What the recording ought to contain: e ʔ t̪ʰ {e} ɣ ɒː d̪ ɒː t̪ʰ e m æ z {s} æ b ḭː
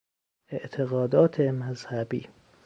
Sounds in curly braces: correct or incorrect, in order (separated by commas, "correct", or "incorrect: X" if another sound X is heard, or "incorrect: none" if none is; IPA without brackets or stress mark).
correct, incorrect: h